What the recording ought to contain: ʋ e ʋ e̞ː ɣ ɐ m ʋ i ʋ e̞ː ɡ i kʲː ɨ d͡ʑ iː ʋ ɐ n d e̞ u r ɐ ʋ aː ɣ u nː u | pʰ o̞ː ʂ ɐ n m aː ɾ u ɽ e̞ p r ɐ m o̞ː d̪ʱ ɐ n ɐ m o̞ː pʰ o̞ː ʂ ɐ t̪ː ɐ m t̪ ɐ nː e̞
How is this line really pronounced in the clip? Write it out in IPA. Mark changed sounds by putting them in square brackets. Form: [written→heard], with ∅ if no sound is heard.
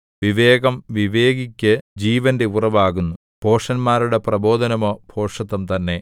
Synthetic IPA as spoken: ʋ [e→i] ʋ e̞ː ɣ ɐ m ʋ i ʋ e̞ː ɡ i kʲː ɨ d͡ʑ iː ʋ ɐ n d e̞ u r ɐ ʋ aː ɣ u nː u | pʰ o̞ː ʂ ɐ n m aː ɾ u ɽ e̞ p r ɐ [m→b] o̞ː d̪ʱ ɐ n ɐ m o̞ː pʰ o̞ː ʂ ɐ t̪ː ɐ m t̪ ɐ nː e̞